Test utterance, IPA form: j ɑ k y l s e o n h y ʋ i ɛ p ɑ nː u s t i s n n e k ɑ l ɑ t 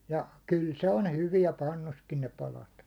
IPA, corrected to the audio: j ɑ k y l s e o n h y ʋ i ɛ p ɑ nː u s k i n n e p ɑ l ɑ t